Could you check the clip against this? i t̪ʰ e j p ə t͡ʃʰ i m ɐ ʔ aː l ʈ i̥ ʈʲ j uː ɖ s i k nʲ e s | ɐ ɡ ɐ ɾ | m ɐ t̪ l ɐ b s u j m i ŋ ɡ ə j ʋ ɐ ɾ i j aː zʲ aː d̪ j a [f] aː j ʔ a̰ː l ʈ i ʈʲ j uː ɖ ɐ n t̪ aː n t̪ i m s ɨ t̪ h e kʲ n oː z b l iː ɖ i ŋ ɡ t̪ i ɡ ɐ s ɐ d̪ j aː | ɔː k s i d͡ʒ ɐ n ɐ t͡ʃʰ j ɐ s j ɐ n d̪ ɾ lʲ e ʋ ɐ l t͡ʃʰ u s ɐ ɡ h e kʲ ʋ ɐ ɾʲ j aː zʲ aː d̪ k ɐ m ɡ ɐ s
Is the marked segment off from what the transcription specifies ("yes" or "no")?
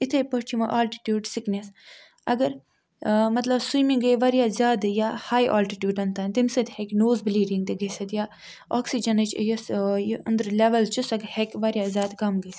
yes